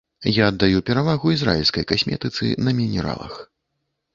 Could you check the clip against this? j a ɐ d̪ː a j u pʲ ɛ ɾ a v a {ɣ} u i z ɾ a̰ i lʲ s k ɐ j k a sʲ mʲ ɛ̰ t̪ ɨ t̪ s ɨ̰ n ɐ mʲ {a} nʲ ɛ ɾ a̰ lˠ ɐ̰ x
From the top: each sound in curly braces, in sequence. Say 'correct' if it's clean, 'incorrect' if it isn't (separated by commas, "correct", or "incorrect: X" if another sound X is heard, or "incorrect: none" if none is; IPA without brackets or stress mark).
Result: correct, incorrect: i